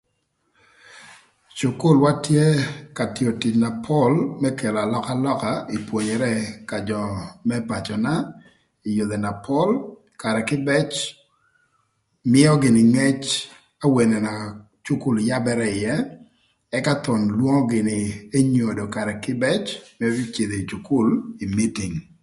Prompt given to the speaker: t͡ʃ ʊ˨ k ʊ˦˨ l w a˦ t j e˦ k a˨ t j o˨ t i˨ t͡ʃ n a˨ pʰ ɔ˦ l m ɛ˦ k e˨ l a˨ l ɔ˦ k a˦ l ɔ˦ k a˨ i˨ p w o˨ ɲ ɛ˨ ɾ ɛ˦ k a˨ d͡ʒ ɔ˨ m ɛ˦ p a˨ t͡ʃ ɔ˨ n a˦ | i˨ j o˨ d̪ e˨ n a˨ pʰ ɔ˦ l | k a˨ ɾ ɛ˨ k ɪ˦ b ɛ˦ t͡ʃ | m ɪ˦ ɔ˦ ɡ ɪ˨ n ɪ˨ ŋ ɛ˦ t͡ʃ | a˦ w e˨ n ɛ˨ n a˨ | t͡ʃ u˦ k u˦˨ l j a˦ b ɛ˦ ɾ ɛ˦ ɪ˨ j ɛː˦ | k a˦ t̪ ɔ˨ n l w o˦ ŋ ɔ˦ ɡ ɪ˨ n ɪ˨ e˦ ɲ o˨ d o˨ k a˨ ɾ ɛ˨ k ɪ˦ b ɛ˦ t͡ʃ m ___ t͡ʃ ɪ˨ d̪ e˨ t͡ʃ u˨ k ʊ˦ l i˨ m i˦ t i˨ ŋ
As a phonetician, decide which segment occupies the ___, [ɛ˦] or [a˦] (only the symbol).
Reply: ɛ˦